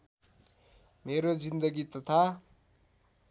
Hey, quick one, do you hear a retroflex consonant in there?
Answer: no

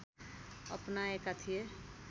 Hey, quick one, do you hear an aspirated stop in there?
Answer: yes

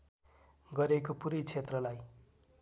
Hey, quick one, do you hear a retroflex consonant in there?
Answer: no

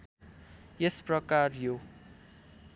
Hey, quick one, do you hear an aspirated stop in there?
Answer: no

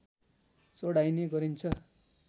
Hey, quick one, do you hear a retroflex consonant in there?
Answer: yes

